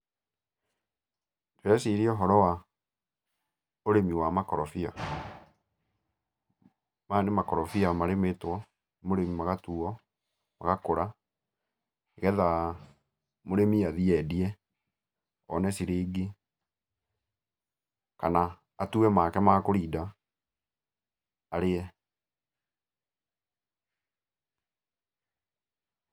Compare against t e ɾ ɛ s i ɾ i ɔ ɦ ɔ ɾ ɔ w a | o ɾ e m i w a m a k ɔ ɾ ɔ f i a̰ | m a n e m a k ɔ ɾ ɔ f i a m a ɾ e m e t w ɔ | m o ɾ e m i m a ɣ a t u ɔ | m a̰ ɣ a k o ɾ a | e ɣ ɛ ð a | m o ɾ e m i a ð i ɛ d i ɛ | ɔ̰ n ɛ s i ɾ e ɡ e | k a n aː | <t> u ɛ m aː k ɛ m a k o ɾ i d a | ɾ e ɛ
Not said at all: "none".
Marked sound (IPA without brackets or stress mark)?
t